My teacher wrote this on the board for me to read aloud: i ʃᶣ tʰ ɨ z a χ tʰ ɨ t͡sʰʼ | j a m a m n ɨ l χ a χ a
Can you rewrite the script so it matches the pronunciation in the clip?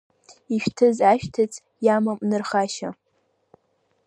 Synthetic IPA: i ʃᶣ tʰ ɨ z a ʃ tʰ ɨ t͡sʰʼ | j a m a m n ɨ r χ a ʃ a